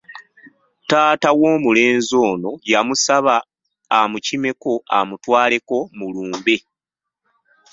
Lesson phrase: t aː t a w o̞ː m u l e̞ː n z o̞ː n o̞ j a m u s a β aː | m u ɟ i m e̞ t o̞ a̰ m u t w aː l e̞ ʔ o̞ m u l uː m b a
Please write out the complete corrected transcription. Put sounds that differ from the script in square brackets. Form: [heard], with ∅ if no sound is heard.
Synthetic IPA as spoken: t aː t a w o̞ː m u l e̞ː n z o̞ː n o̞ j a m u s a β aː | m u [c] i m e̞ [k] o̞ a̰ m u t w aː l e̞ [k] o̞ m u l uː m b [e]